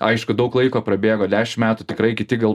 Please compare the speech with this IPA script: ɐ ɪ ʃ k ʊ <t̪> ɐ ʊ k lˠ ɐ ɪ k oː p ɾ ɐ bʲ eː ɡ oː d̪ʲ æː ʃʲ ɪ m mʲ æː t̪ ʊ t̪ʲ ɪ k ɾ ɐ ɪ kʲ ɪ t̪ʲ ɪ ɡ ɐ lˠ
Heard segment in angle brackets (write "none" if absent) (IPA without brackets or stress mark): d̪